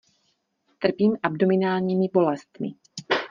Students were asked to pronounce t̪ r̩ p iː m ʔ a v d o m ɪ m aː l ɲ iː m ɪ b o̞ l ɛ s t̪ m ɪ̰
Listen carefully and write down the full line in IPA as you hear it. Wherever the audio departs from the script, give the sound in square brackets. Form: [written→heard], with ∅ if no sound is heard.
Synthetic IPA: t̪ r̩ p iː m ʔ a [v→b] d o m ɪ [m→n] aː l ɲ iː m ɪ b o̞ l ɛ s t̪ m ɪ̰